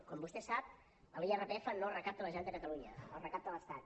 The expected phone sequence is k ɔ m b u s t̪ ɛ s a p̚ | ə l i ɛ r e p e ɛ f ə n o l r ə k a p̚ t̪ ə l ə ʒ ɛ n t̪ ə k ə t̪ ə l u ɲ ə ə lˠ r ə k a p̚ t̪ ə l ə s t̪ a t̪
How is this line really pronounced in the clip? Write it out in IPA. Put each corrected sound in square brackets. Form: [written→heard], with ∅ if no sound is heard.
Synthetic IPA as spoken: k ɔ m b u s t̪ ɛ s a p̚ | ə l i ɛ r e p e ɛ f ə n o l r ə k a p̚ t̪ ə l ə ʒ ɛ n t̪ ə k ə t̪ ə l u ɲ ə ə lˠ r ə k a p̚ t̪ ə l ə s t̪ a t̪